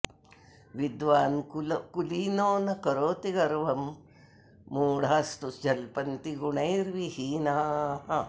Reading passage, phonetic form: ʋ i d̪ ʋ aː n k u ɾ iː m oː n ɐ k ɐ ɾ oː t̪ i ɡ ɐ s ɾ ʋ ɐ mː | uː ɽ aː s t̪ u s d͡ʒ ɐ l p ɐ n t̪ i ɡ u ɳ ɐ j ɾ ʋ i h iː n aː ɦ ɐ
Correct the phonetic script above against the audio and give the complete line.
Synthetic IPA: ʋ i d̪ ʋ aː n k u l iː n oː n ɐ k ɐ ɾ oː t̪ i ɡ ɐ ɾ ʋ ɐ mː | uː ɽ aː s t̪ u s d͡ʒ ɐ l p ɐ n t̪ i ɡ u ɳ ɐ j ɾ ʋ i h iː n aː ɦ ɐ